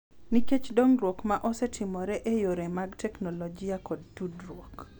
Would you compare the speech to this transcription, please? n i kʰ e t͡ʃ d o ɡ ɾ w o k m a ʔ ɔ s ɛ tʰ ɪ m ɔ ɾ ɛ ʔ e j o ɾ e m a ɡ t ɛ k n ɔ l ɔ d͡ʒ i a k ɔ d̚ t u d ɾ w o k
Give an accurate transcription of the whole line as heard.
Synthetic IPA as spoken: n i k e t͡ʃ d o ŋ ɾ w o k m a ʔ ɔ s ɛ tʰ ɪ m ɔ ɾ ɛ ʔ e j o ɾ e m a ɡ t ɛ k n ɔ l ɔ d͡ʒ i a k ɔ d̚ t u d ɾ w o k